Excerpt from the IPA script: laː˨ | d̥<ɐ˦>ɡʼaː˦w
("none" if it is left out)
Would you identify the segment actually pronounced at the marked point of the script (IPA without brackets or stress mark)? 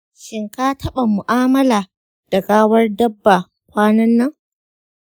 ɐ˨